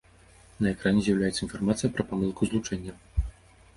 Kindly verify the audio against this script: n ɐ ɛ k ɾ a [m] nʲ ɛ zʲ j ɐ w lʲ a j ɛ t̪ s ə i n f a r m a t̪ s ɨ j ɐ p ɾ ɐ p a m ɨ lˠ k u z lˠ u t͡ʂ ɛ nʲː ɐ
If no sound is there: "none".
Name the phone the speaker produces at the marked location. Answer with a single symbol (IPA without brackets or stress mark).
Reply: none